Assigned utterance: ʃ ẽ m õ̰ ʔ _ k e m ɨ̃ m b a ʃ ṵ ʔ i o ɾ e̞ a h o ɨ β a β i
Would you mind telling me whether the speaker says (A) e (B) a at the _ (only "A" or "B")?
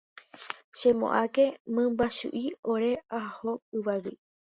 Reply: B